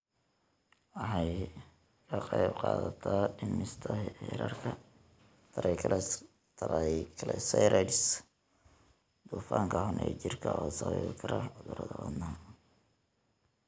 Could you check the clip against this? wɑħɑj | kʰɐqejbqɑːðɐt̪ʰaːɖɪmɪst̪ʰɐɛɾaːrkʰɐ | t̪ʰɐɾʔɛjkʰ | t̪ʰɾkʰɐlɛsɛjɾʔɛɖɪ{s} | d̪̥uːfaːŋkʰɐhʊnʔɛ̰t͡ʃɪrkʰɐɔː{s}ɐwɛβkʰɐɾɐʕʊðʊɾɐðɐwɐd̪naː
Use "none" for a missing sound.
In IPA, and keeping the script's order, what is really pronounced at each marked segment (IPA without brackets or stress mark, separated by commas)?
s, s